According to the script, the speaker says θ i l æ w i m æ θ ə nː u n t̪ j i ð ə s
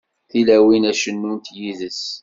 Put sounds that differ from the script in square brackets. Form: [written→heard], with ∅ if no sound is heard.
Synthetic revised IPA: θ i l æ w i [m→n] æ [θ→ʃ] ə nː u n t̪ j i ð ə s